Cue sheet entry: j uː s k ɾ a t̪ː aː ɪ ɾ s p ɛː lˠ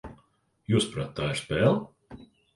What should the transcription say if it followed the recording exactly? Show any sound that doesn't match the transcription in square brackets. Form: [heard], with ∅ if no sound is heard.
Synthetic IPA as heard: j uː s [p] ɾ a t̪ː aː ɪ ɾ s p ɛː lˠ